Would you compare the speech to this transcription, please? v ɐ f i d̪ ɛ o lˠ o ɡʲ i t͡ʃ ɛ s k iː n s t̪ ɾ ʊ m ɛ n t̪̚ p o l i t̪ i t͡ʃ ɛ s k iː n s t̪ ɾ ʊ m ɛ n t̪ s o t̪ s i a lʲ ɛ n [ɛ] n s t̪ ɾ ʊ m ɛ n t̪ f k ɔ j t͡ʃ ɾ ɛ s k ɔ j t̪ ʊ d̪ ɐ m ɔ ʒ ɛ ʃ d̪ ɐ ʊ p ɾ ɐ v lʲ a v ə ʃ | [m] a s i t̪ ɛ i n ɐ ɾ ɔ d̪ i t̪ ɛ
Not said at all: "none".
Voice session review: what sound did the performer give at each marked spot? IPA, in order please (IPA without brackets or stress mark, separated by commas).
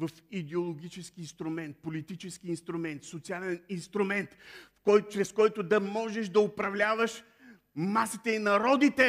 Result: i, m